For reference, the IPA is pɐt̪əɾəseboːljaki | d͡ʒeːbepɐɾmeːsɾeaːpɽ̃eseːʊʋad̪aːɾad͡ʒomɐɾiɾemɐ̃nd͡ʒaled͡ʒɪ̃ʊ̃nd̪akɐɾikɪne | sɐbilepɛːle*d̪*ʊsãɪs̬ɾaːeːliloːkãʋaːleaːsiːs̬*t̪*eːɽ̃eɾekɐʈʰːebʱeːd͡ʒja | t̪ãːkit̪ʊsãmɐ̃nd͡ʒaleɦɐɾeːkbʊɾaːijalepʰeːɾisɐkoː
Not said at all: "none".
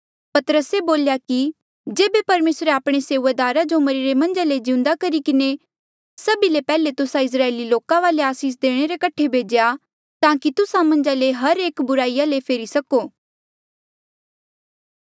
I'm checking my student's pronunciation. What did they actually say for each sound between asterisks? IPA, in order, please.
t̪, d̪

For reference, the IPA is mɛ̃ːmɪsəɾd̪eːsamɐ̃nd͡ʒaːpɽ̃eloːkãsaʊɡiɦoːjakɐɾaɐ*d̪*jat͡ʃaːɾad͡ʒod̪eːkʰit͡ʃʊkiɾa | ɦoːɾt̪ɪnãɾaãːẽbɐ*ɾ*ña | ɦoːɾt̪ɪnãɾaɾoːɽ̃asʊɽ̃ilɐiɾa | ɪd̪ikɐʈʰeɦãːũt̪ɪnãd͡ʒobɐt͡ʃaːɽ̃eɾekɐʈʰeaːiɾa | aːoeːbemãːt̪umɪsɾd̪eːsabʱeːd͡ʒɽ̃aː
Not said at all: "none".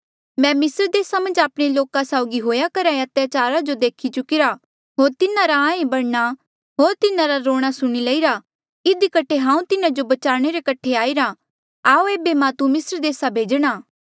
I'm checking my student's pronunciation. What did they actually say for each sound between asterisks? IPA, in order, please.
t̪, ɽ

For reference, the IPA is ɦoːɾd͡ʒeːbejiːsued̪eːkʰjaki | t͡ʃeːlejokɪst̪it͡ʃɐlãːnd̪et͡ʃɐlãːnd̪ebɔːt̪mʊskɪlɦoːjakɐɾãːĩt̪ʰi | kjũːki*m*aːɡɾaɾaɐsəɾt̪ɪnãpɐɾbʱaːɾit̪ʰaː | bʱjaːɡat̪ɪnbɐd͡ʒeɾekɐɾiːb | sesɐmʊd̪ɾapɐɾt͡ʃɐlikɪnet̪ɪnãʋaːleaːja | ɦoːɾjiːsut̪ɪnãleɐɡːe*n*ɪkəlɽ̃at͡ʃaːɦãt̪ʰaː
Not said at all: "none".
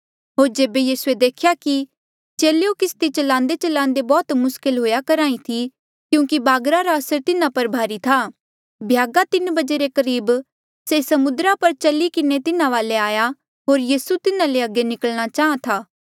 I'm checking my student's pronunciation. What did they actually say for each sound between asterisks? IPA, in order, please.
b, n

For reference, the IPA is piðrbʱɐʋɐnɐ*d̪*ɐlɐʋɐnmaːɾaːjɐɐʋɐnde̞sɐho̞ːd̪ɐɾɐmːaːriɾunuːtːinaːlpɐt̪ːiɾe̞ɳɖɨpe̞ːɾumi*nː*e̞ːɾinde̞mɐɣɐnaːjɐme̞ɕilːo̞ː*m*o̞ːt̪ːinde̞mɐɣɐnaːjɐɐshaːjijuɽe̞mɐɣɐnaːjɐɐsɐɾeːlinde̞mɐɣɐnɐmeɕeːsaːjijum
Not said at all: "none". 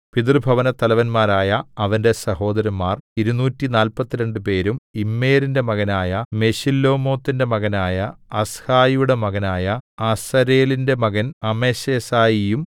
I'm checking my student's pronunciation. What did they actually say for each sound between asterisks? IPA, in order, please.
t̪, mː, m

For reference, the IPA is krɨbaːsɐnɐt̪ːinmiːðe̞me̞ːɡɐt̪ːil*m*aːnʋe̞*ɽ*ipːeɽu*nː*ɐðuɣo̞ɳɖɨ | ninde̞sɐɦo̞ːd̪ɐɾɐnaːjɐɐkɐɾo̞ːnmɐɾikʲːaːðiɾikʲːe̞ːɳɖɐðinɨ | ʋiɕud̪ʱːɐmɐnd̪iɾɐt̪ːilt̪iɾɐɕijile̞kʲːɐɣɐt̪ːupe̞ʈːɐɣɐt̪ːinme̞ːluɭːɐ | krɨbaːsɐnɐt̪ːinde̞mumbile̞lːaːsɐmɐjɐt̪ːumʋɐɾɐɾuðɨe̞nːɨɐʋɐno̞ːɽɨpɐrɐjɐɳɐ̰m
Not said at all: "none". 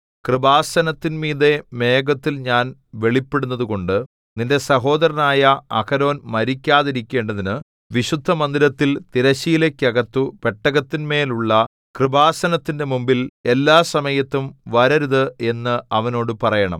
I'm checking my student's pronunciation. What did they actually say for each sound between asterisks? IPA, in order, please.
ɲ, ɭ, nː

